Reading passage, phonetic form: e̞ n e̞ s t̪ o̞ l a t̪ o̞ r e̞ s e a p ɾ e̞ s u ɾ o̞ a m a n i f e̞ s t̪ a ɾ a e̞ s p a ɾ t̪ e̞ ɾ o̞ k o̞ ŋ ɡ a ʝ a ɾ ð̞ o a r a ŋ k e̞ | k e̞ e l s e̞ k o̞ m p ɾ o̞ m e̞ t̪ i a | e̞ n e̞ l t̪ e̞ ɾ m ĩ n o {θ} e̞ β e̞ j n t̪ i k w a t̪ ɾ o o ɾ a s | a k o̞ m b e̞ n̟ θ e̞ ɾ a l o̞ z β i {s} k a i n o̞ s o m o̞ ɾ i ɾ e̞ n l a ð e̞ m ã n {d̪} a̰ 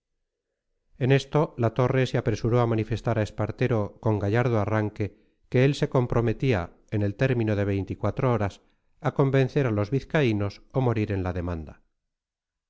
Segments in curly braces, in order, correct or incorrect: incorrect: ð, incorrect: θ, correct

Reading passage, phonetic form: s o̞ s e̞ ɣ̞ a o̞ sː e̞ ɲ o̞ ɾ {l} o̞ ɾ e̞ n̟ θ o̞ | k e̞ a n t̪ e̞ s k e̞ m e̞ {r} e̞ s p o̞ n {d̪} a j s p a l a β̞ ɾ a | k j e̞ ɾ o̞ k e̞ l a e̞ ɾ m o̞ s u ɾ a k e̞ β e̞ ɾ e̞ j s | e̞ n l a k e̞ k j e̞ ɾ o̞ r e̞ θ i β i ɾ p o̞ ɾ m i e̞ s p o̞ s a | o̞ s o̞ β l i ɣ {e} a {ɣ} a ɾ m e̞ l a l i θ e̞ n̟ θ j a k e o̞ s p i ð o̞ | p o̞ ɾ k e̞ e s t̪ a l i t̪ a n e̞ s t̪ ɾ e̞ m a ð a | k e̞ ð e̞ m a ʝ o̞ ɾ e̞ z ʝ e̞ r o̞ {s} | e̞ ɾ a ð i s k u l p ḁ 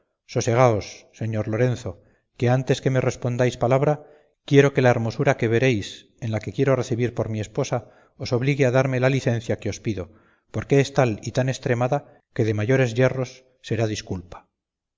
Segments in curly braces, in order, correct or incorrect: correct, correct, correct, correct, incorrect: ð, incorrect: sː

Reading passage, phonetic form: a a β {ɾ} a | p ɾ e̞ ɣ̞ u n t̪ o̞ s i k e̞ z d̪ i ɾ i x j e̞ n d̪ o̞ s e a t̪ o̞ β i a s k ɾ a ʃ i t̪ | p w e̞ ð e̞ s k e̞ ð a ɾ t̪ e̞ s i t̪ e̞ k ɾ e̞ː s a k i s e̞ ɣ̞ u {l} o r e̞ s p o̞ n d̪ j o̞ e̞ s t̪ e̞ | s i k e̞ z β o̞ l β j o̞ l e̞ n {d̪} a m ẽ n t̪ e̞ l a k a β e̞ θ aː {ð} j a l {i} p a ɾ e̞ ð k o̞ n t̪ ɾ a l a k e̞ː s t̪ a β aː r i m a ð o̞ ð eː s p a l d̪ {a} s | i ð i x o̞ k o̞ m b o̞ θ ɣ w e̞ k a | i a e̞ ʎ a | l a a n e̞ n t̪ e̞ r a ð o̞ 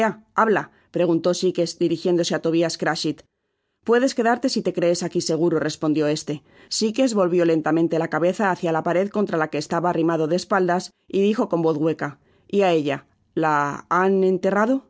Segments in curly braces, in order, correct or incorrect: incorrect: l, incorrect: ɾ, incorrect: t̪, incorrect: θ, incorrect: a, correct

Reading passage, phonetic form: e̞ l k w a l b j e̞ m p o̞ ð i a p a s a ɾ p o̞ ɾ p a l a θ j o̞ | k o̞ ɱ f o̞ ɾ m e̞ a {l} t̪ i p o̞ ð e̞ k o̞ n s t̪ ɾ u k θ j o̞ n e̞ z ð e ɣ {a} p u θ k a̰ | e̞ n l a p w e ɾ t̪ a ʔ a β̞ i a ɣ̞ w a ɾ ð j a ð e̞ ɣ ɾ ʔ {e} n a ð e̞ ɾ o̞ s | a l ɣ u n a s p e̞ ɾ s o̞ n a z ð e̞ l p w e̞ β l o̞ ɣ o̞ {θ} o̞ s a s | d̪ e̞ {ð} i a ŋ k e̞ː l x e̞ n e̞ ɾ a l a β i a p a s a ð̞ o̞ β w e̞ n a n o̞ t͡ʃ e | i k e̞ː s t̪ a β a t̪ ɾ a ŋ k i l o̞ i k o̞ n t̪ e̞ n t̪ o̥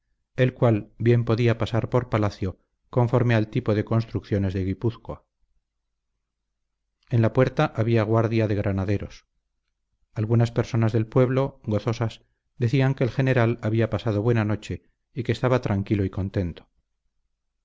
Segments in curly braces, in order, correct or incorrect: correct, incorrect: i, incorrect: a, correct, incorrect: θ

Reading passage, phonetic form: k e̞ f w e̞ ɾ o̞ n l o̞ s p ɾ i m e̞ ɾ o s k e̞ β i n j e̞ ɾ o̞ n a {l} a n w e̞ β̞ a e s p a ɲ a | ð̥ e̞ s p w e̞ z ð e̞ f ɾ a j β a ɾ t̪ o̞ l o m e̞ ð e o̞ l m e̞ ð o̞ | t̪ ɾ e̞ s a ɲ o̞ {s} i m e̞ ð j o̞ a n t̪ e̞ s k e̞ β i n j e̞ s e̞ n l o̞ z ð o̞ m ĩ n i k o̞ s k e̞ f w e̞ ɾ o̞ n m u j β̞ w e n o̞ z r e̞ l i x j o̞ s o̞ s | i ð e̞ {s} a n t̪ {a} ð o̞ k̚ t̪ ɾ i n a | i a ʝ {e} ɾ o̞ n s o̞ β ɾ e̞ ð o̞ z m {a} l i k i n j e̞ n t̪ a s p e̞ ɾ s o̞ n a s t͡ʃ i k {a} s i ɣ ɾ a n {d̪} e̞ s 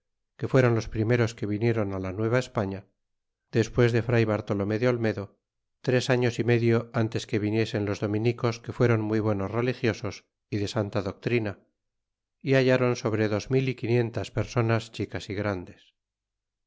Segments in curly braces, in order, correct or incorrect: correct, correct, correct, correct, incorrect: a, incorrect: i, correct, correct

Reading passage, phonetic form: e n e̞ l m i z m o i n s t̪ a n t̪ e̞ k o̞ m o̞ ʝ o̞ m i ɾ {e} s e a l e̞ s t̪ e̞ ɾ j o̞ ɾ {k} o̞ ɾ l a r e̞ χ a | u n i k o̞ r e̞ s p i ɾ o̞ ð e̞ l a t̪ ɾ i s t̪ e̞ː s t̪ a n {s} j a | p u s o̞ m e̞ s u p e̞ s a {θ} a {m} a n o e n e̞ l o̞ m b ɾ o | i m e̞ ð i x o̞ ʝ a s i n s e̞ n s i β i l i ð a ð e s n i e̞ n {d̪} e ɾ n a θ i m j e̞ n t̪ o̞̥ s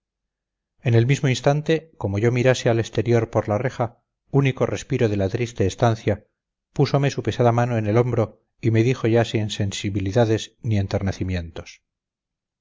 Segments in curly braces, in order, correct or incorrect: incorrect: a, incorrect: p, incorrect: θ, incorrect: ð, correct, incorrect: t̪

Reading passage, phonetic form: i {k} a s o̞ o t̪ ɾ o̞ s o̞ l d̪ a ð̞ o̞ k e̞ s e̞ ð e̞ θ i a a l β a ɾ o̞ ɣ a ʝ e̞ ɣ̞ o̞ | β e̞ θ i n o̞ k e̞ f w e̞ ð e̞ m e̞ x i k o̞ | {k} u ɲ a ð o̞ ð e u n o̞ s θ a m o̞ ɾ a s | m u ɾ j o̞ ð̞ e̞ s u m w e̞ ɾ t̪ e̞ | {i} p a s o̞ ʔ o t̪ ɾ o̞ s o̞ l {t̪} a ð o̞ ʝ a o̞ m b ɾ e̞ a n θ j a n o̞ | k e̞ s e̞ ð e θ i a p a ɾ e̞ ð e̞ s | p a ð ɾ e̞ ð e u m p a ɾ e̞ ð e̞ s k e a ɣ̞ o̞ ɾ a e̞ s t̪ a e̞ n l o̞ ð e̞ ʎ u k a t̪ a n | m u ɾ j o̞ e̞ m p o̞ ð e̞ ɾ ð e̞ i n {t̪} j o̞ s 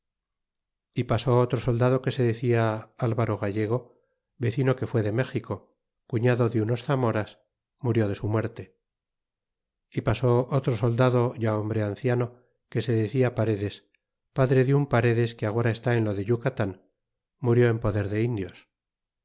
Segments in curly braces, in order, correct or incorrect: incorrect: p, correct, correct, incorrect: d̪, incorrect: d̪

